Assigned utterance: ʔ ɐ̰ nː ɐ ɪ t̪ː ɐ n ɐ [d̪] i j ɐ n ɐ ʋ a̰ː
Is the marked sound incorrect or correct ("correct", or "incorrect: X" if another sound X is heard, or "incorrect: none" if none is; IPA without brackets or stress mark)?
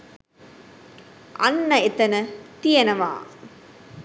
incorrect: t̪